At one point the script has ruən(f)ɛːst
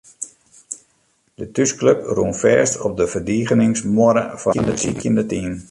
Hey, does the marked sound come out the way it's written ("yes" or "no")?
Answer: yes